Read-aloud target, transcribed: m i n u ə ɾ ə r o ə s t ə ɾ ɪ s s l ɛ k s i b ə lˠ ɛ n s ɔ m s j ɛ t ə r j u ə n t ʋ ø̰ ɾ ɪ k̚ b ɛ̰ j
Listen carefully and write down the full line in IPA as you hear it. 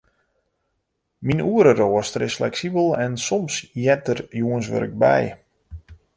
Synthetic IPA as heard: m i n u ə ɾ ə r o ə s t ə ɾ ɪ s f l ɛ k s i b ə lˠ ɛ n s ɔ m s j ɛ t ə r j u ə n s ʋ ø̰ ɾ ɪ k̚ b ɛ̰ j